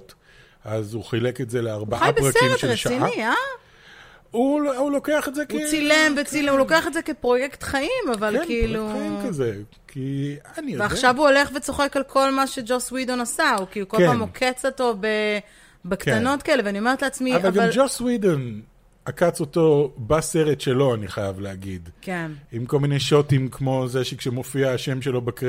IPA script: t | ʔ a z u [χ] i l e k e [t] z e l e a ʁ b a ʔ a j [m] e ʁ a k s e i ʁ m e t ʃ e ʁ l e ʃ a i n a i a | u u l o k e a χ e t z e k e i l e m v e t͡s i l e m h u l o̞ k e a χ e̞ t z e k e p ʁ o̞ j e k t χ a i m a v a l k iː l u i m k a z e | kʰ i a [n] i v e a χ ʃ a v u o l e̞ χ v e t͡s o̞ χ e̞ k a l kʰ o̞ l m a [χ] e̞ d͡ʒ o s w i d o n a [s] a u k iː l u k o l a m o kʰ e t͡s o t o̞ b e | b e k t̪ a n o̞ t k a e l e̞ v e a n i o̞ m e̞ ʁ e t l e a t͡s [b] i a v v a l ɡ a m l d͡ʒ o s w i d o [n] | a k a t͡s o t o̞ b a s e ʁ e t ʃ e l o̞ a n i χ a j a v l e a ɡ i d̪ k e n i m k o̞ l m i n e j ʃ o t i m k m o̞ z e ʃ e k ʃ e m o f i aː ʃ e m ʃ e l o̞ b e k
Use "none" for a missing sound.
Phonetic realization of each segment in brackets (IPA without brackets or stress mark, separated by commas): χ, t, b, n, ʃ, s, m, n